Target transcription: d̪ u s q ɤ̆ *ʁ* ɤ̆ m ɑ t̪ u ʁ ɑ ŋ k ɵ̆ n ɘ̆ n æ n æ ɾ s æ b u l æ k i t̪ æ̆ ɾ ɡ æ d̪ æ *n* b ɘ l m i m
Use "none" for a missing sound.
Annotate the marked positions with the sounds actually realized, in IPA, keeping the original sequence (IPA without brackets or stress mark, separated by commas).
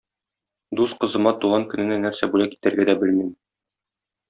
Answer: z, none